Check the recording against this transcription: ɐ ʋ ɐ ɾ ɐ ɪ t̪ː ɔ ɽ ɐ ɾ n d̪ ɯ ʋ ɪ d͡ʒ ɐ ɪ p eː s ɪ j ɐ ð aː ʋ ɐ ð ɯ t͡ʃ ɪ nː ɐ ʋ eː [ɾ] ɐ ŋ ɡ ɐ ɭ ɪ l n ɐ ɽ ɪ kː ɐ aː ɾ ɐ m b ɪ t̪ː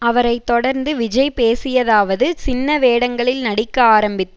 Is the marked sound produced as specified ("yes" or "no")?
no